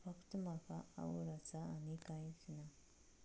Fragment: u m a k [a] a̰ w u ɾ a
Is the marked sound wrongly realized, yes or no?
no